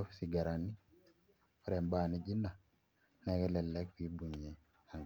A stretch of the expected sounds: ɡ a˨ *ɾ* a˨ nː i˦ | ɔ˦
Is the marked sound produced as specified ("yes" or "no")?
yes